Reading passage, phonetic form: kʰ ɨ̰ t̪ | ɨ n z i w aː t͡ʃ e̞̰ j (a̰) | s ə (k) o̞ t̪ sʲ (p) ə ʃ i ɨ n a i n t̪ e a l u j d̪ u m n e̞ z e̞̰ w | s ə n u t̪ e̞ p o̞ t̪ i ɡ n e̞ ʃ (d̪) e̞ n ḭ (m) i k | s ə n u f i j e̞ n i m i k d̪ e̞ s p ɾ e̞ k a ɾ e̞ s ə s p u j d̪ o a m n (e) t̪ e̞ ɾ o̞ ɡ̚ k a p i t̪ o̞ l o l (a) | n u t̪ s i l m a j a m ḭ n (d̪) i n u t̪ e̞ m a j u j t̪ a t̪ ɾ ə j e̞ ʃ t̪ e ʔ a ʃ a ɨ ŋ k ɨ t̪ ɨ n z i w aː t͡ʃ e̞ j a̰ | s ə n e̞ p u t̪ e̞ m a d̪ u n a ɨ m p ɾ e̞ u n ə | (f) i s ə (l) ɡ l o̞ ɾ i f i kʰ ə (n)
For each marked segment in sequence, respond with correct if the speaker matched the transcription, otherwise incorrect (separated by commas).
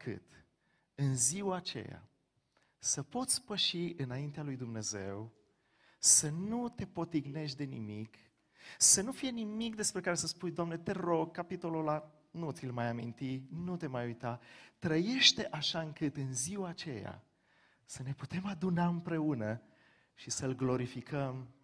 correct, incorrect, correct, correct, correct, correct, correct, incorrect, incorrect, correct, incorrect